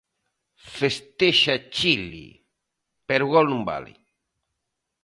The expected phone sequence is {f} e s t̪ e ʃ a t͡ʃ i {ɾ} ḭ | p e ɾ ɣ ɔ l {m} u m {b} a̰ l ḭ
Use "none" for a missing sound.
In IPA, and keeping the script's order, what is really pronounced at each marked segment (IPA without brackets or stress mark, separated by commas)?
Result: f, l, n, b